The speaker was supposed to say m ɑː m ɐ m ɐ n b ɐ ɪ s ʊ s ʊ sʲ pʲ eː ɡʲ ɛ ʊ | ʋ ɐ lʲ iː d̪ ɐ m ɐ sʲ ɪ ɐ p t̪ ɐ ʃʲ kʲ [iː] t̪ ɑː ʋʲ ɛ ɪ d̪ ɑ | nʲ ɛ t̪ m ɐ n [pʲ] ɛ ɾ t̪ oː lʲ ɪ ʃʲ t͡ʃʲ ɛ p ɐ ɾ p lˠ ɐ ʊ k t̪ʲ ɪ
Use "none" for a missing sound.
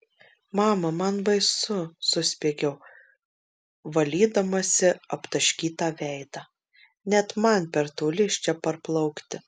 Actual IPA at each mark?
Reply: iː, pʲ

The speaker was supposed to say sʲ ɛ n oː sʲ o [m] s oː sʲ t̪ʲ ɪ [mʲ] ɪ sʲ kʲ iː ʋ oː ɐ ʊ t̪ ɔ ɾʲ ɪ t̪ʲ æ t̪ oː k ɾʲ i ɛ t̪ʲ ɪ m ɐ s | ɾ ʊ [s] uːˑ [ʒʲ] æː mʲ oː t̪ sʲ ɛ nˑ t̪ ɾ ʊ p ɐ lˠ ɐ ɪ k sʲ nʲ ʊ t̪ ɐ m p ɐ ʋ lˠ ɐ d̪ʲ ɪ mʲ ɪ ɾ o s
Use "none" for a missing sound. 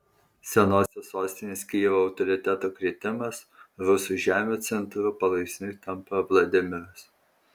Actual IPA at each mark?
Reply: none, nʲ, s, ʒʲ

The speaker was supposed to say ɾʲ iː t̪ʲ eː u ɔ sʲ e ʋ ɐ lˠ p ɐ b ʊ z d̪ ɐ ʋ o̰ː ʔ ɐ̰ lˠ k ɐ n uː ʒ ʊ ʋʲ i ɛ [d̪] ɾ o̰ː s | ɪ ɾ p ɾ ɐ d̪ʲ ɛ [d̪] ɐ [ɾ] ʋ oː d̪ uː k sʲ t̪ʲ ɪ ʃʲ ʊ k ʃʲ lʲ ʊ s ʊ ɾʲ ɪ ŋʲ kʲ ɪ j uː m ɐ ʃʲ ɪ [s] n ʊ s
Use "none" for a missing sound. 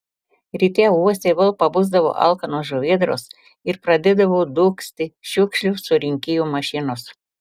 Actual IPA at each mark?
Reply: d̪, d̪, none, none

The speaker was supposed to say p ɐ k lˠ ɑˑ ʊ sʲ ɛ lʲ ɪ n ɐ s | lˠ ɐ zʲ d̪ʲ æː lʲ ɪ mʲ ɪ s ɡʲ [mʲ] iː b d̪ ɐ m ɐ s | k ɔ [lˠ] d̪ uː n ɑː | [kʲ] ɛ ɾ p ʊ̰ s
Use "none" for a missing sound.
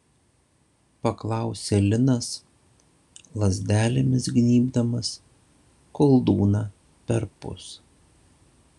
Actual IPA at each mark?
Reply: nʲ, lˠ, pʲ

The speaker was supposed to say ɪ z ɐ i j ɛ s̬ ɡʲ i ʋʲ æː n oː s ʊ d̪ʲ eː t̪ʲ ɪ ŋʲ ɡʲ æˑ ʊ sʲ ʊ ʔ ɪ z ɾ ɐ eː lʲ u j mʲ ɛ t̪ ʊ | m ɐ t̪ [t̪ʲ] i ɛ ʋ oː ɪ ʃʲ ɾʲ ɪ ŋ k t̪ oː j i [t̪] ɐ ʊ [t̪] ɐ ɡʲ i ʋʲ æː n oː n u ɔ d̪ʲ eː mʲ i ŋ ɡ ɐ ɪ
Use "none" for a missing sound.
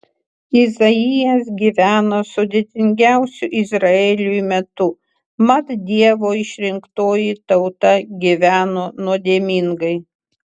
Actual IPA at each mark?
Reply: d̪ʲ, t̪, t̪

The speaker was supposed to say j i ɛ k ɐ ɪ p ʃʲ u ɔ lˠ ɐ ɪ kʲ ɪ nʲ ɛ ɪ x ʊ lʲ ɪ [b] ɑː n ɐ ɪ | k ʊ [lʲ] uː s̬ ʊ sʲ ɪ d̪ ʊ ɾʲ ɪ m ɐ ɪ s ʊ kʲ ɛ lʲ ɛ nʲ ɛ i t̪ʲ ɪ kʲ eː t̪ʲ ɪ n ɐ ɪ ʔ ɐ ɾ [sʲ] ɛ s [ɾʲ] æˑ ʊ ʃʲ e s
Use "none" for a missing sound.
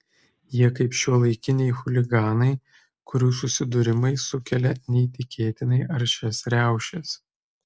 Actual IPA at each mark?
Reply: ɡ, ɾʲ, ʃʲ, ɾʲ

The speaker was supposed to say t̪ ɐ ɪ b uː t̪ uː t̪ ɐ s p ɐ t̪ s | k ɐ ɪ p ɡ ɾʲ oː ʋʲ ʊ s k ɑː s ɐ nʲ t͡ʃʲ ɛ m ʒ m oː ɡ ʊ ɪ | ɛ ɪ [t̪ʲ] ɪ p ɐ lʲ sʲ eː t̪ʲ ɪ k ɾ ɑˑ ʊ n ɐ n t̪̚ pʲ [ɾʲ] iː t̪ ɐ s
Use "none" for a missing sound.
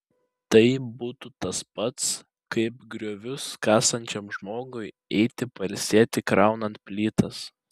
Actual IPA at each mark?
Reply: t̪ʲ, lʲ

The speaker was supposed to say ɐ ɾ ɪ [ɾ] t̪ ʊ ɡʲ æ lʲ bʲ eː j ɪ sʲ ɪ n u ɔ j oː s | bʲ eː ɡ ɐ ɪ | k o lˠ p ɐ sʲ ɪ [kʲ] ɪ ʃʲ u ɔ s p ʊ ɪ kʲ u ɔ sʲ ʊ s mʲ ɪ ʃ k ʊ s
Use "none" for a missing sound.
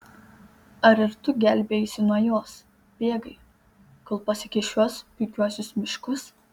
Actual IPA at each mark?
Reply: ɾ, kʲ

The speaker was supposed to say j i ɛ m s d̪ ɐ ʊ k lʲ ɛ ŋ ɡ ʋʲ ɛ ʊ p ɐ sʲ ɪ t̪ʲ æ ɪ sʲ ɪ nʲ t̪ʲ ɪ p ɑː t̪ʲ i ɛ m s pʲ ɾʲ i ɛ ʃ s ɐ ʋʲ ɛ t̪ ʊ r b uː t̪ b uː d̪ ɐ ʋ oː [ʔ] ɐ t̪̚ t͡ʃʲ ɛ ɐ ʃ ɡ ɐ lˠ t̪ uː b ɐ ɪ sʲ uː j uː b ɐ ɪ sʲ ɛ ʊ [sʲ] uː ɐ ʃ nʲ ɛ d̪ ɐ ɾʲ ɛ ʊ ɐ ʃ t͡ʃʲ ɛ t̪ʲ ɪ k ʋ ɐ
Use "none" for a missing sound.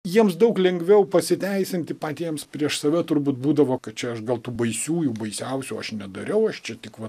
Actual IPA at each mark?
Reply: k, sʲ

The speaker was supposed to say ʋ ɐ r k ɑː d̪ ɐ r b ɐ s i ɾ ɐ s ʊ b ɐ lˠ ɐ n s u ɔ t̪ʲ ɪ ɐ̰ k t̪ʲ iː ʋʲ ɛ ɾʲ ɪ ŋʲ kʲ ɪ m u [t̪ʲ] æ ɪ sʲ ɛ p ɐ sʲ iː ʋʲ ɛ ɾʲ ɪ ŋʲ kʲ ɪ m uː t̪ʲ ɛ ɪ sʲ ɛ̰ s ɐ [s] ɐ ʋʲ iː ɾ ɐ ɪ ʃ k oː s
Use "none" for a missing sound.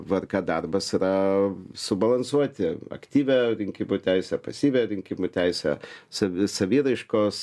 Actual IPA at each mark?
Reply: t̪ʲ, s

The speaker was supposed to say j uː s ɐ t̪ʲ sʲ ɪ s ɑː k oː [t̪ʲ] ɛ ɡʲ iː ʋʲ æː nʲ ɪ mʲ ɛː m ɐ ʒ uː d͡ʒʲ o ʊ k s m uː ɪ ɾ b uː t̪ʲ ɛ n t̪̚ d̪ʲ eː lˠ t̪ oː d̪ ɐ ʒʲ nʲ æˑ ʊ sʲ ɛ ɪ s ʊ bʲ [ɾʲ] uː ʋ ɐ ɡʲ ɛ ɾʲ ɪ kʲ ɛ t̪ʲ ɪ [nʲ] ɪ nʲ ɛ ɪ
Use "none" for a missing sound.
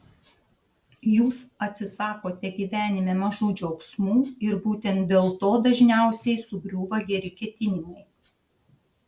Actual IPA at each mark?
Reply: t̪ʲ, ɾʲ, nʲ

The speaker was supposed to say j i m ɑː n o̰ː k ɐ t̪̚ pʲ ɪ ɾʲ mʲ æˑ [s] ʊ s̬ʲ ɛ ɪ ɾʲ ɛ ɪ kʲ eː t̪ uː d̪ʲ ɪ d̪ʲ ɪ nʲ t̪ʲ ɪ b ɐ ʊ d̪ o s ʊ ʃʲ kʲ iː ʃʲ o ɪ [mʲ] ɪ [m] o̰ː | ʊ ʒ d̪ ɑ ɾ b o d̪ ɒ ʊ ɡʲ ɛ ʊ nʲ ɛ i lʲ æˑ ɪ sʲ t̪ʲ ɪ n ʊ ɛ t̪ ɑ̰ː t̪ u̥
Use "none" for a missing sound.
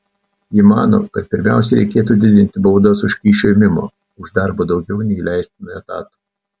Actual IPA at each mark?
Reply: none, mʲ, m

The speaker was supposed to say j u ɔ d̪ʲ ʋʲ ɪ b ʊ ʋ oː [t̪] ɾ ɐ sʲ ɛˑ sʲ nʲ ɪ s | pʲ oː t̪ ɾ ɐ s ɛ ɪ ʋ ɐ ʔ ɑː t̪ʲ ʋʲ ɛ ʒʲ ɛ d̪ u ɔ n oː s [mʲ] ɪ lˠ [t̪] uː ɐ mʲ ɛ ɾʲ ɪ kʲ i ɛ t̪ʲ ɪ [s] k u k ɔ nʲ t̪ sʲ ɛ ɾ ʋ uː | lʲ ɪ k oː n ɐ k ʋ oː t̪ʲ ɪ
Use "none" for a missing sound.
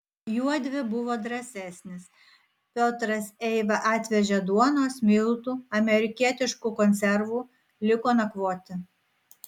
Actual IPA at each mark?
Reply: d̪, mʲ, t̪, ʃ

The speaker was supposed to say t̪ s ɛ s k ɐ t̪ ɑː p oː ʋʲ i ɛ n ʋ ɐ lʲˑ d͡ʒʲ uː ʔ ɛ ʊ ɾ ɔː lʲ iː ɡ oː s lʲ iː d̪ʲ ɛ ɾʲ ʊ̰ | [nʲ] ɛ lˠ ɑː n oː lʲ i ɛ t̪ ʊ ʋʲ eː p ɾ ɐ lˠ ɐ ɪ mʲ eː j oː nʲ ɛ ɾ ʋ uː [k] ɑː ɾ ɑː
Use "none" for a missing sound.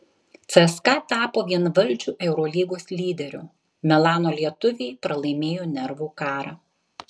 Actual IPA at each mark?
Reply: mʲ, k

